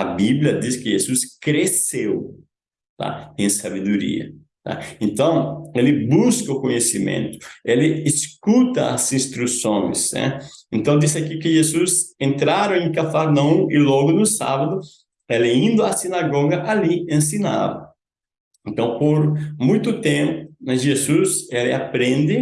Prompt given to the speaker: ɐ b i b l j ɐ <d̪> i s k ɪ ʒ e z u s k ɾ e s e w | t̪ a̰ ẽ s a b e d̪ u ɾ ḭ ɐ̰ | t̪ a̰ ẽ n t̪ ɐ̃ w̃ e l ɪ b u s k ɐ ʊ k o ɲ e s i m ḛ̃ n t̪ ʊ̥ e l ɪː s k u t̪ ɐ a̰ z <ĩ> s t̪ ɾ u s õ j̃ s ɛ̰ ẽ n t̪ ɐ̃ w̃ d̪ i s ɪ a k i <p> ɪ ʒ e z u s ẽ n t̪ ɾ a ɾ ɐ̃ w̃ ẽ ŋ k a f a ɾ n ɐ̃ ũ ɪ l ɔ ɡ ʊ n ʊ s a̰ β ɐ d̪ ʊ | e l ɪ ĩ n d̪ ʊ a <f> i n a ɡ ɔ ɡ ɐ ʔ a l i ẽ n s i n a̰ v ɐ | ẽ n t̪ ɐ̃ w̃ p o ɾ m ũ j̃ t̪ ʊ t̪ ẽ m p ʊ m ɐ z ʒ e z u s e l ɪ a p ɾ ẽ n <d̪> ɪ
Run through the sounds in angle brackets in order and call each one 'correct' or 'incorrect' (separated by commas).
correct, correct, incorrect, incorrect, correct